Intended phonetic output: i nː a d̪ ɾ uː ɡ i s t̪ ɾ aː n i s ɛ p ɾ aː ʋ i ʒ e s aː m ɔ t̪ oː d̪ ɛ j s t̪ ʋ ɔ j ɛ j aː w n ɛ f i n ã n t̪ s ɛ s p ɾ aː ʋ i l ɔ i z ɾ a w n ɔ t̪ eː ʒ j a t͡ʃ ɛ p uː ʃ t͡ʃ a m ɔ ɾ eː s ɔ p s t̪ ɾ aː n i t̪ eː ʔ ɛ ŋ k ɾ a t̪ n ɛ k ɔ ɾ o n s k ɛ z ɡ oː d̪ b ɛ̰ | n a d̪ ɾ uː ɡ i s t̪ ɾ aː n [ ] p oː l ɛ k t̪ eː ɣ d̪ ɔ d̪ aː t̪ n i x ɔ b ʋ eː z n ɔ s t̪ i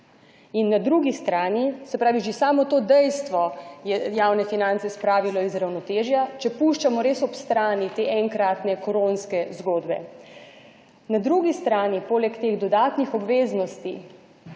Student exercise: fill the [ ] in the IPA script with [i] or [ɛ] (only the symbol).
i